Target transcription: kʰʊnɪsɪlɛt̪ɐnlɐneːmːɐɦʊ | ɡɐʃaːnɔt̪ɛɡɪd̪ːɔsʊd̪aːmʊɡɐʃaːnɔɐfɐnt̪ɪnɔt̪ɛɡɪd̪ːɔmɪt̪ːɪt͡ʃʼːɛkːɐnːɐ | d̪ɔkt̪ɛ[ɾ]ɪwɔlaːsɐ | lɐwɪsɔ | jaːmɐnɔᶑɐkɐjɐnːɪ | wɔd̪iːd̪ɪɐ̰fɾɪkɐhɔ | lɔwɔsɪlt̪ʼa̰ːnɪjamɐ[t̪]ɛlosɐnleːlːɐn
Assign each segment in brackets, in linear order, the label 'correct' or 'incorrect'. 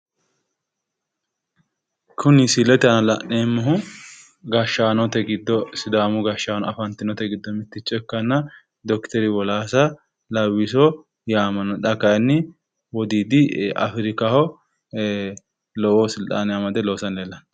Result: correct, incorrect: d̪

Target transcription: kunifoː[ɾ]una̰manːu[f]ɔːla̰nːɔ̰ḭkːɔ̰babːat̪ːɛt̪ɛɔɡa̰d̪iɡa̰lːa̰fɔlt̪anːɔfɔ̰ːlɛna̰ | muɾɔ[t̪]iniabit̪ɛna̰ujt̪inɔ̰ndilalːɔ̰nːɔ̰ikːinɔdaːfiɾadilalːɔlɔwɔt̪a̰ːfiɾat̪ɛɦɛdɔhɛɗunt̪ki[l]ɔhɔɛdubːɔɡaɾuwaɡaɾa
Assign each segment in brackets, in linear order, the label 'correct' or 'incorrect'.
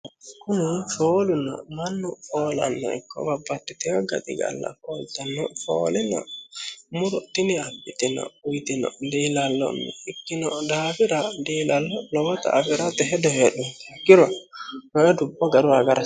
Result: incorrect: l, correct, correct, incorrect: ɾ

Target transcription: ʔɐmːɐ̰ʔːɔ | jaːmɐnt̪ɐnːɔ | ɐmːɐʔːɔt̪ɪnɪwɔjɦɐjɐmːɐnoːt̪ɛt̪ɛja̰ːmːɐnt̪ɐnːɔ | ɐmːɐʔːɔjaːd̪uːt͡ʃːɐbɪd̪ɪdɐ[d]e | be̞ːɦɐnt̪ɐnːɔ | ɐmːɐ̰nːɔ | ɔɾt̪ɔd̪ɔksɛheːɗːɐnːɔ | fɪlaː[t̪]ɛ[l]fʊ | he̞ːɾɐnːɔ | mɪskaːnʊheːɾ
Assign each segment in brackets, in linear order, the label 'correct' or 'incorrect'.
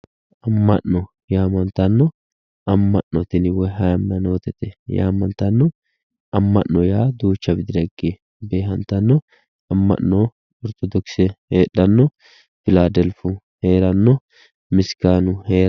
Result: incorrect: ɡ, incorrect: d̪, correct

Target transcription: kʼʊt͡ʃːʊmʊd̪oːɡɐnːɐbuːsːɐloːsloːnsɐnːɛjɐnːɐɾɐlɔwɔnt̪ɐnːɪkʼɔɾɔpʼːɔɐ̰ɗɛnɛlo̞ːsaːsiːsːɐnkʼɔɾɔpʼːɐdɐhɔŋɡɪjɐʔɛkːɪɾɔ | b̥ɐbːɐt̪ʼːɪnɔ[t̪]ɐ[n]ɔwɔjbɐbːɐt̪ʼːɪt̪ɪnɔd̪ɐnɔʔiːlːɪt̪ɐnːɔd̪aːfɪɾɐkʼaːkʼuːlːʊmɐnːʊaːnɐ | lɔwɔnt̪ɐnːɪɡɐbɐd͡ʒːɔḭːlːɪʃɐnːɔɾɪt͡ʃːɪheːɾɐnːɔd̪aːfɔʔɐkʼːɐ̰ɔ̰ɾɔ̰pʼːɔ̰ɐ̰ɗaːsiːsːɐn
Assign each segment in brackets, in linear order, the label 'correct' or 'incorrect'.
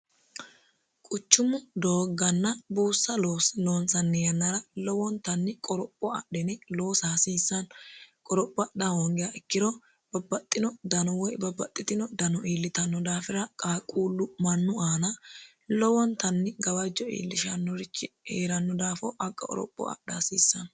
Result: incorrect: d̪, correct

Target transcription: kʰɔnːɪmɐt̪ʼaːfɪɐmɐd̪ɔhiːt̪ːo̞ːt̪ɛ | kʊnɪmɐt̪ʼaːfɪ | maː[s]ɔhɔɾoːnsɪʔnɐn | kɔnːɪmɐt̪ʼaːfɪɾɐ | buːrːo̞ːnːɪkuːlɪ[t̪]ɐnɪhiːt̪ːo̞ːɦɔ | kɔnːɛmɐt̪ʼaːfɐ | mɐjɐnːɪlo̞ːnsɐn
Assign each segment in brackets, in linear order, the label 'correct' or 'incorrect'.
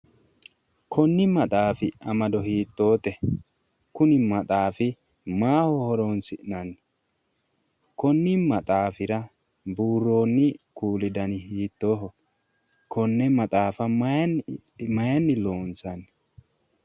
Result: incorrect: h, incorrect: d̪

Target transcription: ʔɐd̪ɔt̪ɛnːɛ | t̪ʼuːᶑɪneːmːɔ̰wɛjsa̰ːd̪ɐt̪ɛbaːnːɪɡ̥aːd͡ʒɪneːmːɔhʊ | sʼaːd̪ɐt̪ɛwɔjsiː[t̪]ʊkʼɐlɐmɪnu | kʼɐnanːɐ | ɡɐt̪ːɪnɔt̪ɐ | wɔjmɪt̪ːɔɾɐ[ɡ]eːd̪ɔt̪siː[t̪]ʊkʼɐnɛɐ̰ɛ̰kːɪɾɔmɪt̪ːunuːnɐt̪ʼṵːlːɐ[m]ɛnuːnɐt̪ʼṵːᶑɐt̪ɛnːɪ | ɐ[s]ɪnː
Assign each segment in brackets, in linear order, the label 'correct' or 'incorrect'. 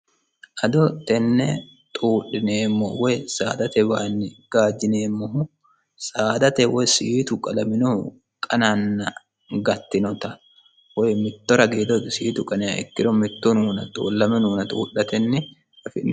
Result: correct, correct, correct, correct, incorrect: f

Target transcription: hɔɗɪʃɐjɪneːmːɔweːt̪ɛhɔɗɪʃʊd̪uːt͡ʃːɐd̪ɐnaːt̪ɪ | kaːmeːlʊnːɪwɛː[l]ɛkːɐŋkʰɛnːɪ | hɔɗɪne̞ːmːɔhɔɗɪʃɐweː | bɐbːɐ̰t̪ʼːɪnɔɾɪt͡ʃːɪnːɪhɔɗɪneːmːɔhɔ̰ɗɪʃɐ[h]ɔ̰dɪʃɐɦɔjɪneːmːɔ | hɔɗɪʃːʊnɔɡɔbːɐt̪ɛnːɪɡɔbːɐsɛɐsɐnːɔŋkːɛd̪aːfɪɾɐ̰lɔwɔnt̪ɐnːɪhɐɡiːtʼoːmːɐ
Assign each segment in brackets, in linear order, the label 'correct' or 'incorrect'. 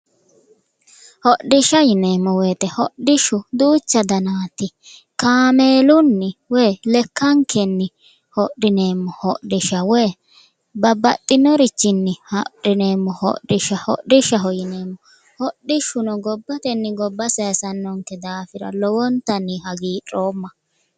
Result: correct, correct

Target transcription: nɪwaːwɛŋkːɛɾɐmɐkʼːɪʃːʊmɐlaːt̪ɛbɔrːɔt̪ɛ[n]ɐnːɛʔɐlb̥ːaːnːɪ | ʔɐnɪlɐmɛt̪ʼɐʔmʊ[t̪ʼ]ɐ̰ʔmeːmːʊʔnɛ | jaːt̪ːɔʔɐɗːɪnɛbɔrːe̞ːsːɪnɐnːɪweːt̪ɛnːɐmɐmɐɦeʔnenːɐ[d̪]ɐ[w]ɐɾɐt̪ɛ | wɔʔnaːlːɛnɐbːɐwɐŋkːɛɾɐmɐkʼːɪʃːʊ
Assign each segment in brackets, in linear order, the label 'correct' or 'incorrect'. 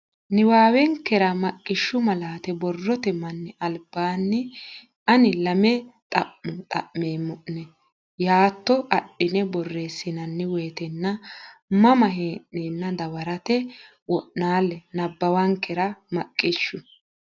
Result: incorrect: m, correct, correct, correct

